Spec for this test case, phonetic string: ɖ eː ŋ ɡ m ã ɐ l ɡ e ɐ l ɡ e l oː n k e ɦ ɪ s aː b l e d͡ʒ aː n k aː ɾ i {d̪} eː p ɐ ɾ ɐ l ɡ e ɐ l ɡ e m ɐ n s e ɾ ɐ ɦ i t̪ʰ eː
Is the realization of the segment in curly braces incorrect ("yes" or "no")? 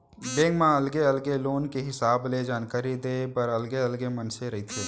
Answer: no